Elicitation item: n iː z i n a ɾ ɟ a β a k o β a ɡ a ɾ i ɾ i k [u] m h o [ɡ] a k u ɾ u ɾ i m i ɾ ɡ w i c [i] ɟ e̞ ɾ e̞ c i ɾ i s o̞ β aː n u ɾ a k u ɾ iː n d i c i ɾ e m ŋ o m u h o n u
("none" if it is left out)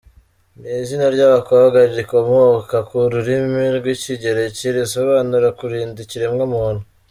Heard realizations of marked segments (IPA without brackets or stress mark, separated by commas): o, k, i